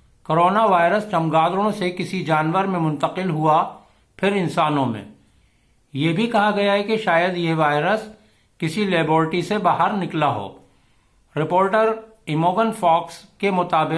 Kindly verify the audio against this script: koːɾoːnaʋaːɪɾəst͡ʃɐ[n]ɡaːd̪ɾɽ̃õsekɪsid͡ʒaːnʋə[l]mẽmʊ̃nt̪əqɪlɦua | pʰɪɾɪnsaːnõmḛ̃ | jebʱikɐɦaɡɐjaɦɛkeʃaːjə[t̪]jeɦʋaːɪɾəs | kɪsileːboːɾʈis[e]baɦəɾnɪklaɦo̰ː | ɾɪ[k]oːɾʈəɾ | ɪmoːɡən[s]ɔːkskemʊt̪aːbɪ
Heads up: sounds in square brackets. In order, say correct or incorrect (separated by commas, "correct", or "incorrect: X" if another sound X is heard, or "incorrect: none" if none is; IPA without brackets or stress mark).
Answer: incorrect: m, incorrect: ɾ, incorrect: d̪, correct, incorrect: p, incorrect: f